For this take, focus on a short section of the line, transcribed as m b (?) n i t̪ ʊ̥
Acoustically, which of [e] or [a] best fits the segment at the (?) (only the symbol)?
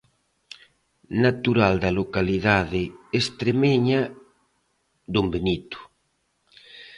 e